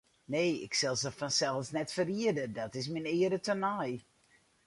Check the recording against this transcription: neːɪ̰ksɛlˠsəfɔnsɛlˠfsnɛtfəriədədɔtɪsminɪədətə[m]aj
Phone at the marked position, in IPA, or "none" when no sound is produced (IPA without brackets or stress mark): n